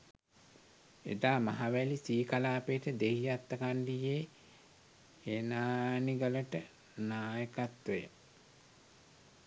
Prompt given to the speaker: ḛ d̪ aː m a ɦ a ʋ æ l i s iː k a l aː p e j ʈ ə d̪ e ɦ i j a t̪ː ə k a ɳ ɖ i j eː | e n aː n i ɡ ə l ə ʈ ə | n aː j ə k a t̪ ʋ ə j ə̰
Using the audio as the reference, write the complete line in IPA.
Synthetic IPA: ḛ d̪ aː m a ɦ a ʋ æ l i s iː k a l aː p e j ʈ ə d̪ e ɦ i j a t̪ː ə k a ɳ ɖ i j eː | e n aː n i ɡ ə l ə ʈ ə | n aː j ə k a t̪ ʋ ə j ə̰

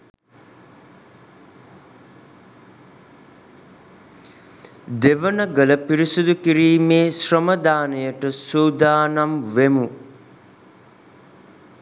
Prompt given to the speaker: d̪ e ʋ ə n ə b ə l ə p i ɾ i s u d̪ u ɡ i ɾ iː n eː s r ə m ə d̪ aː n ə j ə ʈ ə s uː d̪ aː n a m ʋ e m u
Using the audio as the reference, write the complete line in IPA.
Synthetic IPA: d̪ e ʋ ə n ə ɡ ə l ə p i ɾ i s u d̪ u k i ɾ iː m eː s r ə m ə d̪ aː n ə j ə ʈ ə s uː d̪ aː n a m ʋ e m u

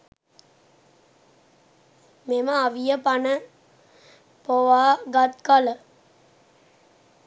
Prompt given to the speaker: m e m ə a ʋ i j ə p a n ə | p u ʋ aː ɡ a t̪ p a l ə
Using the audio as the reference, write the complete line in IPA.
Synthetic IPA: m e m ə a ʋ i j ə p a n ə | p o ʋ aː ɡ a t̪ k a l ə

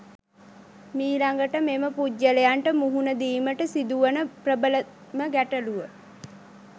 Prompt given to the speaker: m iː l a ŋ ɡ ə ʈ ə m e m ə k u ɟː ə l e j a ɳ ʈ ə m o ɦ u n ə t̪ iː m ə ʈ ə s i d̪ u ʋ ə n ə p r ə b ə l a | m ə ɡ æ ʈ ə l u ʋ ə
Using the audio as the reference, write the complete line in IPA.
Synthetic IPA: m iː l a ŋ ɡ ə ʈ ə m e m ə p u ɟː ə l e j a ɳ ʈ ə m u ɦ u n ə d̪ iː m ə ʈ ə s i d̪ u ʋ ə n ə p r ə b ə l ə | m ə ɡ æ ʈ ə l u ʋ ə

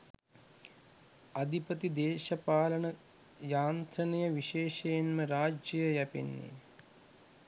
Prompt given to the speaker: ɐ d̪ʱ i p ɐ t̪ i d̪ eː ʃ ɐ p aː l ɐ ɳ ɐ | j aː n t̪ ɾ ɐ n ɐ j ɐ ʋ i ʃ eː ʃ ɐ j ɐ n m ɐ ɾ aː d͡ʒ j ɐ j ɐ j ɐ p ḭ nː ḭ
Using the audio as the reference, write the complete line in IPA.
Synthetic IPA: ɐ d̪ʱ i p ɐ t̪ i d̪ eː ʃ ɐ p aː l ɐ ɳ ɐ | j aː n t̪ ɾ ɐ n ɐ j ɐ ʋ i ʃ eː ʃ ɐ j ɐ n m ɐ ɾ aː d͡ʒ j ɐ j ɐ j ɐ p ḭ nː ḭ

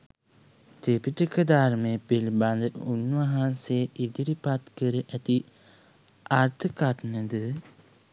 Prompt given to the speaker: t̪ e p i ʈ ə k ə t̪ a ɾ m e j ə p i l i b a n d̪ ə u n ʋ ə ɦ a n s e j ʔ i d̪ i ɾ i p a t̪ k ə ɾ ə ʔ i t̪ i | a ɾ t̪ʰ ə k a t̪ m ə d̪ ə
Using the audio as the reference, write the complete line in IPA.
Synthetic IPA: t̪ e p i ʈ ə k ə d̪ a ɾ m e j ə p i l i b a n d̪ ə u n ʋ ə ɦ a n s e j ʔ i d̪ i ɾ i p a t̪ k ə ɾ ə ʔ æ t̪ i | a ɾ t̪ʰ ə k a t̪ n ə d̪ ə

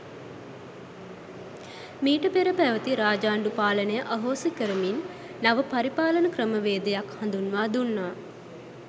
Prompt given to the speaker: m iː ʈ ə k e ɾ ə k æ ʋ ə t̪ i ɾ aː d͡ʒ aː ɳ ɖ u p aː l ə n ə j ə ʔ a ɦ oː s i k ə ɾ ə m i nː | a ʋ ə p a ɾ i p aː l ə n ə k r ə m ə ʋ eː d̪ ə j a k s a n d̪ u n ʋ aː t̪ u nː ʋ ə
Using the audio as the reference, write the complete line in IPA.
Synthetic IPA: m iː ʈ ə p e ɾ ə p æ ʋ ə t̪ i ɾ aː d͡ʒ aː ɳ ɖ u p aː l ə n ə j ə ʔ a ɦ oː s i k ə ɾ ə m i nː | a ʋ ə p a ɾ i p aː l ə n ə k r ə m ə ʋ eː d̪ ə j a k h a n d̪ u n ʋ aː d̪ u nː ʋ a

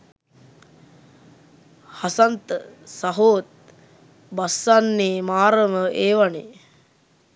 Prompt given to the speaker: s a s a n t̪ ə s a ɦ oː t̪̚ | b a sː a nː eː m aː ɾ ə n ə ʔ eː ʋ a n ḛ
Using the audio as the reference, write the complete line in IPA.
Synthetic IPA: h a s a n t̪ ə s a ɦ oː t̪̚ | b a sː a nː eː m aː ɾ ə m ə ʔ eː ʋ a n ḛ

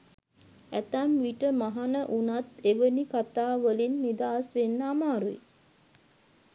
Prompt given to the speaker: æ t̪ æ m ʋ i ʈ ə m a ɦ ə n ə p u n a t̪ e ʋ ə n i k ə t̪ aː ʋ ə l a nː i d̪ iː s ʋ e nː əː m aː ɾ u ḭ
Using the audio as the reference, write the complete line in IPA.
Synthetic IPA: æ t̪ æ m ʋ i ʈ ə m a ɦ a n ə ʔ u n a t̪ e ʋ ə n i k a t̪ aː ʋ ə l i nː i d̪ aː s ʋ e nː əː m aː ɾ u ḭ

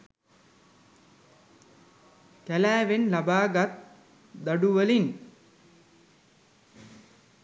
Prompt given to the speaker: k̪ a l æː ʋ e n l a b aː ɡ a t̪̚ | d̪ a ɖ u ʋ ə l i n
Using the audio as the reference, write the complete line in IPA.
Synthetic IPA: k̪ æ l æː ʋ e n l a b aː ɡ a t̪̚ | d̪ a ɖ u ʋ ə l i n

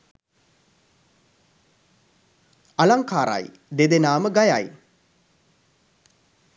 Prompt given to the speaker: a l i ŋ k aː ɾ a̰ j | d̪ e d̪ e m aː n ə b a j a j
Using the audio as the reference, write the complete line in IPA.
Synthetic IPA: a l a ŋ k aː ɾ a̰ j | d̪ e d̪ e n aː m ə ɡ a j a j

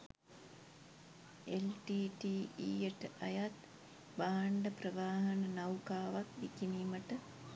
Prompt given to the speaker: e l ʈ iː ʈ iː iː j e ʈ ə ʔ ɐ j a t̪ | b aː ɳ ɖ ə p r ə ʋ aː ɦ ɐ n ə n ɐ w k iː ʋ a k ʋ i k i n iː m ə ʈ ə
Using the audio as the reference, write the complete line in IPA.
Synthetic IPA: e l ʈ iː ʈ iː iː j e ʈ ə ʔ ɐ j a t̪ | b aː ɳ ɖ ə p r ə ʋ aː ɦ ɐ n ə n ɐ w k aː ʋ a k ʋ i k i n iː m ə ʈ ə

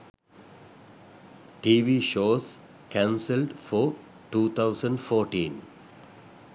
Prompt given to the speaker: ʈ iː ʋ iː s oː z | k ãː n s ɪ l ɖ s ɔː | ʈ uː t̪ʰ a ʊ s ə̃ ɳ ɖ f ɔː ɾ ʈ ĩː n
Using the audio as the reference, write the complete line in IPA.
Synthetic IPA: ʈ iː ʋ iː ʃ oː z | k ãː n s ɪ l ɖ f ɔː | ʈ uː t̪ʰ a ʊ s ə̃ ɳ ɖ f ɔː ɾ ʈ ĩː n

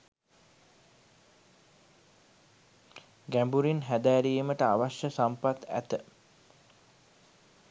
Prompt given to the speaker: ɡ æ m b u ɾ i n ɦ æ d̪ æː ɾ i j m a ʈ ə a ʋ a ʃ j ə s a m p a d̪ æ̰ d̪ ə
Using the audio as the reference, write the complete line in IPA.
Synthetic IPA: ɡ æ m b u ɾ i n ɦ æ d̪ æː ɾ i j m ə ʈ ə a ʋ a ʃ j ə s a m p a t̪ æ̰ t̪ ə

